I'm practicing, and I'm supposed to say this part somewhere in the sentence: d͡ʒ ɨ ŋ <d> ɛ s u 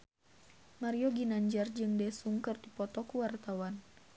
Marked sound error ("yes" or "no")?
no